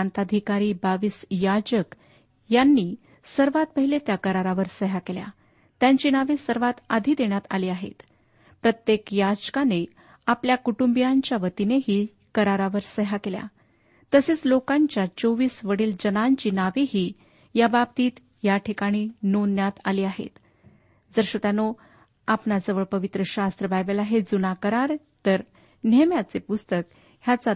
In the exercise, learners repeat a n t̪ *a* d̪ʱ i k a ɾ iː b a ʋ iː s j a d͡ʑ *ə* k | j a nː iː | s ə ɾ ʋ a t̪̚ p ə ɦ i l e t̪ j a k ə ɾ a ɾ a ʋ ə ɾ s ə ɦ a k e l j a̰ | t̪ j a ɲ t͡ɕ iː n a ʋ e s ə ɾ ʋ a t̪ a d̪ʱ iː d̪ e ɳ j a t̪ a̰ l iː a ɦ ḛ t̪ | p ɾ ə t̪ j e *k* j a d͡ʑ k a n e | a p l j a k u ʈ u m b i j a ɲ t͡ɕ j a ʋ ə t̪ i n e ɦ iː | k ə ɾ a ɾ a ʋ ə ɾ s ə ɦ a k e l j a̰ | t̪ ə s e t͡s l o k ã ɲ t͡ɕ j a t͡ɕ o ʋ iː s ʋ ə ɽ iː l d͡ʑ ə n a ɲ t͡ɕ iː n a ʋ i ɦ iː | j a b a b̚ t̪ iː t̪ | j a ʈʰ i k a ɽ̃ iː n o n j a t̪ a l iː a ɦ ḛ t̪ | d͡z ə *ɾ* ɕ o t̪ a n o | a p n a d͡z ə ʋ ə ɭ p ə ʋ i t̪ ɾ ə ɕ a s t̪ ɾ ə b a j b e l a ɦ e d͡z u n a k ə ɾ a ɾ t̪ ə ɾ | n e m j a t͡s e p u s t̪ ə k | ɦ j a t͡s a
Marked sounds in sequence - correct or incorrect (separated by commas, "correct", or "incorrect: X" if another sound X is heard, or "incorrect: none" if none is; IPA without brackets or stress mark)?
correct, correct, correct, correct